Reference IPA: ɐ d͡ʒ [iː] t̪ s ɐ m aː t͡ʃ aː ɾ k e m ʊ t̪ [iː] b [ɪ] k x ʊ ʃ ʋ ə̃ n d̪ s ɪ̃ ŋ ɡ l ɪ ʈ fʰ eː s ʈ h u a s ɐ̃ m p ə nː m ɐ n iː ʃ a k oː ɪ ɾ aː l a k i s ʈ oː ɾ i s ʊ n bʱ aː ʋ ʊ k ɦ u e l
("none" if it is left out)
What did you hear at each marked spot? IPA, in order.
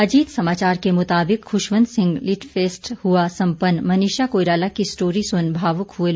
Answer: iː, aː, ɪ

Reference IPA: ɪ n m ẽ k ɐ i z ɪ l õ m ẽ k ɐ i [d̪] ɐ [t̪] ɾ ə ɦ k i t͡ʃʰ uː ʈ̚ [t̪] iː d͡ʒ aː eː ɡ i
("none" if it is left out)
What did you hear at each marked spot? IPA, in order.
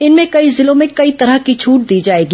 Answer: t̪, none, d̪

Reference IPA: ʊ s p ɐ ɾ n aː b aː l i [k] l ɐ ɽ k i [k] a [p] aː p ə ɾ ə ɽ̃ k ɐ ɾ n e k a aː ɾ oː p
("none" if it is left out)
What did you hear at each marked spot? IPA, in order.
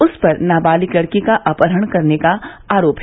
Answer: k, k, ʔ

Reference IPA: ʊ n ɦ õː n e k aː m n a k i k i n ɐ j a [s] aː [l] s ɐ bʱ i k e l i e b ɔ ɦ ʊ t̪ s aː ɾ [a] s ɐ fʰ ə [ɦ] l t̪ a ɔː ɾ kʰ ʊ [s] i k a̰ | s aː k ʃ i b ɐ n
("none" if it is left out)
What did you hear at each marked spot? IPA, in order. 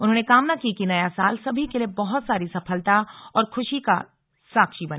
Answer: s, l, i, none, ʃ

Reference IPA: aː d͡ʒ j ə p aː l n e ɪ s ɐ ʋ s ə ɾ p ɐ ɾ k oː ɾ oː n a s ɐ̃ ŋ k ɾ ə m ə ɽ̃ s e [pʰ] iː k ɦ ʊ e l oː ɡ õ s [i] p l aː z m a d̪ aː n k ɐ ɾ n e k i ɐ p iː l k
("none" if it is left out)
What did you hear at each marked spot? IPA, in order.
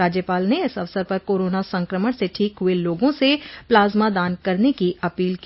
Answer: ʈʰ, e

